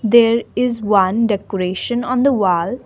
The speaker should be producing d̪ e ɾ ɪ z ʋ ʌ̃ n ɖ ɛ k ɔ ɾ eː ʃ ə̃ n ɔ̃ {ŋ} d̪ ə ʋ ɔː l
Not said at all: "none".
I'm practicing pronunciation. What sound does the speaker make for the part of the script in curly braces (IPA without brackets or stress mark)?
n